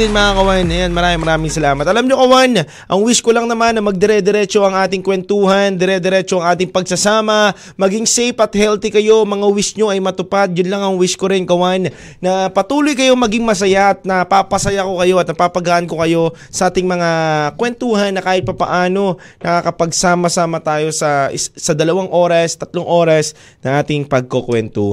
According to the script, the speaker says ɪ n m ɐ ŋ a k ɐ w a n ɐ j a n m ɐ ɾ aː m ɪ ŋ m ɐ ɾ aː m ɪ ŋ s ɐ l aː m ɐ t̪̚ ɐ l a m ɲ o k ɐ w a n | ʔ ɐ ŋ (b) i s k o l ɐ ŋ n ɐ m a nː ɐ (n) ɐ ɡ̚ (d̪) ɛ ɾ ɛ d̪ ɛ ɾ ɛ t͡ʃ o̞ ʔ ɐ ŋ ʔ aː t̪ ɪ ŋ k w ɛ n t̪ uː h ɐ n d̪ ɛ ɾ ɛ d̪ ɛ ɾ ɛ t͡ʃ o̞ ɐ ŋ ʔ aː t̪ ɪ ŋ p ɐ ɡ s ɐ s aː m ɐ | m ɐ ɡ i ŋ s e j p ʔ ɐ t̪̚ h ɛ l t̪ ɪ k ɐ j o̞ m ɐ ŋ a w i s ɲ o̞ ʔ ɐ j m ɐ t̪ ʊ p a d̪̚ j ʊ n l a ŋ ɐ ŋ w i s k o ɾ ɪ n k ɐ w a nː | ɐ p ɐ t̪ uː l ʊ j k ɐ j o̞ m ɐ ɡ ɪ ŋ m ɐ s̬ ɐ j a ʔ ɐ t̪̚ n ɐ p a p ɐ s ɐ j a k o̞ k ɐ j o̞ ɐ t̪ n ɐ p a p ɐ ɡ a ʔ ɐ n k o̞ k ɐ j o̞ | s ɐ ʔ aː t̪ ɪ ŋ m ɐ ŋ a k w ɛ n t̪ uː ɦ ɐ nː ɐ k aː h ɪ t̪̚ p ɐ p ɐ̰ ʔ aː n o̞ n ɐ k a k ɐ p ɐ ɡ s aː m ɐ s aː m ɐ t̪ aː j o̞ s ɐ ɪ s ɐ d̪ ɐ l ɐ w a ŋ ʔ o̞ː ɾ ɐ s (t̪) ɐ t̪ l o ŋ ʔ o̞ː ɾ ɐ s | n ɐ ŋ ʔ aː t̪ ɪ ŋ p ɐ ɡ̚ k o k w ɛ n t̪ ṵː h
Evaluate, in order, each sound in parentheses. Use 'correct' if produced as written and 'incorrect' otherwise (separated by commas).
incorrect, incorrect, correct, correct